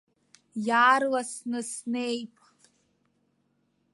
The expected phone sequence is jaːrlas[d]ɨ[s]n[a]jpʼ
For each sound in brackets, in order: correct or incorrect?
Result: incorrect: n, correct, incorrect: e

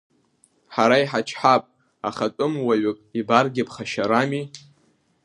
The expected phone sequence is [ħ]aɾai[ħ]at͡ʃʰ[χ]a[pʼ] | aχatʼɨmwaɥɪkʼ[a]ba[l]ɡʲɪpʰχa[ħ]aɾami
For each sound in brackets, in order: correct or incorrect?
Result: correct, correct, incorrect: ħ, correct, incorrect: i, incorrect: r, incorrect: ʃ

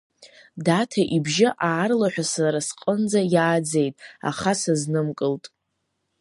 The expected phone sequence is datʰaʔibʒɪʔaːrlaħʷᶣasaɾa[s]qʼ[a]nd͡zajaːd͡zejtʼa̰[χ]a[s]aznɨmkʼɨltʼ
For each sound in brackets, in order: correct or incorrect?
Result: correct, incorrect: ə, correct, correct

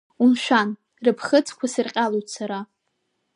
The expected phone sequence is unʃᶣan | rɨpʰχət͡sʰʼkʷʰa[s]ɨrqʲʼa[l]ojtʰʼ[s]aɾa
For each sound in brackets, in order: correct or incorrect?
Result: correct, correct, correct

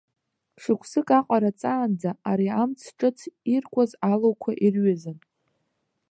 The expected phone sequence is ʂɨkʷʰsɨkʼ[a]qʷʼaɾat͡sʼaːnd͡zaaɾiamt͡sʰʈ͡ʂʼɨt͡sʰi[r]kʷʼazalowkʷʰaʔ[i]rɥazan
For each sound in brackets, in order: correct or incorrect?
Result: correct, correct, correct

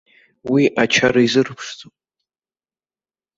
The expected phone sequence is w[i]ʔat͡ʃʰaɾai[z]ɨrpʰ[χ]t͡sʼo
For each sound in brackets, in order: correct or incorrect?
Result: correct, correct, incorrect: ʂ

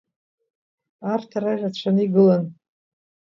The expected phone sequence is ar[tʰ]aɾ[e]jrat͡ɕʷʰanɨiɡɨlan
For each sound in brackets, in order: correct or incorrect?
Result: correct, incorrect: a

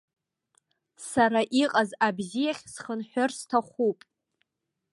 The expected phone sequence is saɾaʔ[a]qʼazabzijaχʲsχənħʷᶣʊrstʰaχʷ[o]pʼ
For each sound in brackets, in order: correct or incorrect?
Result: incorrect: i, incorrect: u

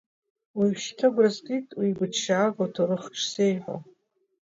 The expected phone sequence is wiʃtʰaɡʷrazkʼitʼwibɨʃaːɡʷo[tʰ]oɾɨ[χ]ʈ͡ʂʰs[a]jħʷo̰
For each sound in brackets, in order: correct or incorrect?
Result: correct, correct, incorrect: e

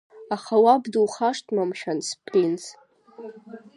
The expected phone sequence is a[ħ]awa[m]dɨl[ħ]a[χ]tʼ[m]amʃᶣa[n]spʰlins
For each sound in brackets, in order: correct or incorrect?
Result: incorrect: χ, incorrect: b, incorrect: χ, incorrect: ʂ, correct, correct

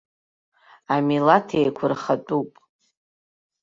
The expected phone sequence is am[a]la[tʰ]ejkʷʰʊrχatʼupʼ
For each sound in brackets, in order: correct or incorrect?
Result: incorrect: i, correct

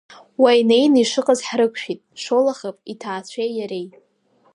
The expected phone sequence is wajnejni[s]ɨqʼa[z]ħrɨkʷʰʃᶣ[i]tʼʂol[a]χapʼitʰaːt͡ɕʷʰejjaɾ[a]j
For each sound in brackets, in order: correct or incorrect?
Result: incorrect: ʂ, correct, correct, correct, incorrect: e

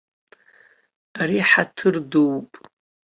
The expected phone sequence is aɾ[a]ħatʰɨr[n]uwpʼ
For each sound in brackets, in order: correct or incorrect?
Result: incorrect: i, incorrect: d

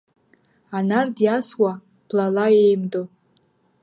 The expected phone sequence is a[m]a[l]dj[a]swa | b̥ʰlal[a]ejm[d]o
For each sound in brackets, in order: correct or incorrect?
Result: incorrect: n, incorrect: r, correct, correct, correct

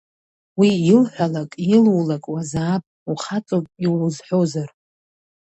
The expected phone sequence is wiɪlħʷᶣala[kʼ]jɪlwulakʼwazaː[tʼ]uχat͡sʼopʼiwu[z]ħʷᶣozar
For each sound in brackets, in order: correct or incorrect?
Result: correct, incorrect: pʼ, correct

